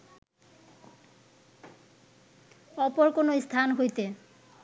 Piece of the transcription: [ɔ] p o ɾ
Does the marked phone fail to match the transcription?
no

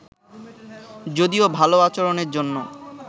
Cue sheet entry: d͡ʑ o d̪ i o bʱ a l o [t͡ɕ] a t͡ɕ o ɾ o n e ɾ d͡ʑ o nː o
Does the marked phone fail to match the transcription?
yes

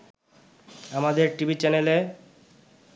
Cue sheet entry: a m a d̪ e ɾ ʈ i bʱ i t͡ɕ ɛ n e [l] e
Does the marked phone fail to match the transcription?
no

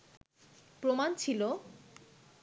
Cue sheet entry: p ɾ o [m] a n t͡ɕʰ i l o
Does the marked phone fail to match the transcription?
no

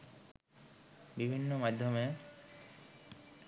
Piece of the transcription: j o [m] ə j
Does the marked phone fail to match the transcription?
no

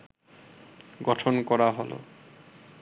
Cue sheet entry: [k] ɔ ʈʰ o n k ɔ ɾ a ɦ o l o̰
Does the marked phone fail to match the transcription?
yes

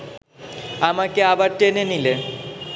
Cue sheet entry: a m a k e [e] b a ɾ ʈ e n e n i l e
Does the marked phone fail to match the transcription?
yes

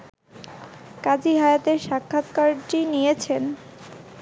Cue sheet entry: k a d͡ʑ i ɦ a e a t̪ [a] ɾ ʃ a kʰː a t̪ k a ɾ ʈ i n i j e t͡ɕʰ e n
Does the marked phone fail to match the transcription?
yes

